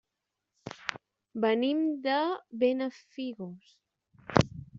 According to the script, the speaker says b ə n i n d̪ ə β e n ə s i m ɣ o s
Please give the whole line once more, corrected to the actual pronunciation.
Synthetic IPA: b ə n i m d̪ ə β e n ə f i ɣ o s